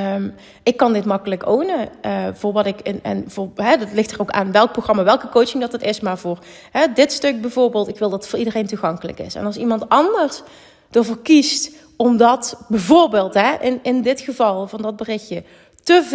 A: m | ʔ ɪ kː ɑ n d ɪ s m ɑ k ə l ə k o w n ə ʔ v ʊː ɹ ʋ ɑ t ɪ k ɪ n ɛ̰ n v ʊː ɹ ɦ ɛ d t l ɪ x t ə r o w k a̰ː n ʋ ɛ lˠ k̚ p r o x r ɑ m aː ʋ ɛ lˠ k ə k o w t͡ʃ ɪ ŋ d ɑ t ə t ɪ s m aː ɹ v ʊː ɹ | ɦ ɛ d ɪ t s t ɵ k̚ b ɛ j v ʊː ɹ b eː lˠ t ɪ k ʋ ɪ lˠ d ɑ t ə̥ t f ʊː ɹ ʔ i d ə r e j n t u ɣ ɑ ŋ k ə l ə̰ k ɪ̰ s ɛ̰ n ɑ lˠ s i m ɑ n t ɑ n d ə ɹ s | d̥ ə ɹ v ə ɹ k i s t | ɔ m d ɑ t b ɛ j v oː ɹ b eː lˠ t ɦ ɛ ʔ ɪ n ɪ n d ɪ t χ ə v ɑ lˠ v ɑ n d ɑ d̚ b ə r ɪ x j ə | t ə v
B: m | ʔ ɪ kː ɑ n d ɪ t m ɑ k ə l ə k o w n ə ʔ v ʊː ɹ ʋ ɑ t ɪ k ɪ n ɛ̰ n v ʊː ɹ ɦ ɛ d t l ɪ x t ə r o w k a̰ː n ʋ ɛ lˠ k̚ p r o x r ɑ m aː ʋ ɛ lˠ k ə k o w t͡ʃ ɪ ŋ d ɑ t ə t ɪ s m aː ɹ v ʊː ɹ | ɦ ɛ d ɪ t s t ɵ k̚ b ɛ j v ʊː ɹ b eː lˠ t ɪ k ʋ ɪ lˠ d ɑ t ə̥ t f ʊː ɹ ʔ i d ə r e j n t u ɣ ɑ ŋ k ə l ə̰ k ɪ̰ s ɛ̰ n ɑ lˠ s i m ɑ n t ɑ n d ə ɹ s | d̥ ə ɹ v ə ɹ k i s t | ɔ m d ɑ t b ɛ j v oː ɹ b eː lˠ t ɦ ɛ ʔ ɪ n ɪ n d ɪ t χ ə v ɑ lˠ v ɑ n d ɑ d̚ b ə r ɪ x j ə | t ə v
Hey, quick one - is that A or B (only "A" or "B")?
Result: B